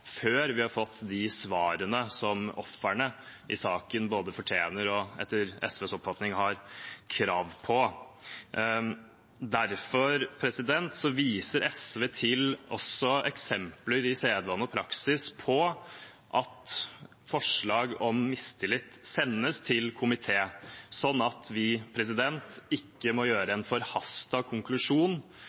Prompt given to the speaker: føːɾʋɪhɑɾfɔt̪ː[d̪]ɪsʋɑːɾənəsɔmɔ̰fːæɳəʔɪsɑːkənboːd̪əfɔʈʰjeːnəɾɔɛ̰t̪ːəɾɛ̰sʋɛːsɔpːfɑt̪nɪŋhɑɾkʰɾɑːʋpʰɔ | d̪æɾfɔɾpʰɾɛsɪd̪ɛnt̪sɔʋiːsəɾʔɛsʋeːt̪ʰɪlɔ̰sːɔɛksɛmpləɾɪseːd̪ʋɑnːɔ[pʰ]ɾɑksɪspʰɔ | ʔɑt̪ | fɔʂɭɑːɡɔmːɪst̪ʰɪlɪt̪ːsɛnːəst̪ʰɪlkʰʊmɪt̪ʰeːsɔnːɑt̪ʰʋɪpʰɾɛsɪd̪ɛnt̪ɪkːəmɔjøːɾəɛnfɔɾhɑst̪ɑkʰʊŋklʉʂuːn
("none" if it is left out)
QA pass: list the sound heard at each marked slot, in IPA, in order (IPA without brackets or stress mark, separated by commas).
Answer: d̪, pʰ